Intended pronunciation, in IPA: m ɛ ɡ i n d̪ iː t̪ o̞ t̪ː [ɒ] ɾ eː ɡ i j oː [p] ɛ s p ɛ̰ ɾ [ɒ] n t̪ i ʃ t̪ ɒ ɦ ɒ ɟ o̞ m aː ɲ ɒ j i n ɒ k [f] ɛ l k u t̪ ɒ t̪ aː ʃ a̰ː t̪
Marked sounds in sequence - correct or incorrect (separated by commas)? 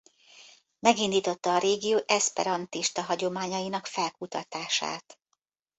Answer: incorrect, incorrect, correct, correct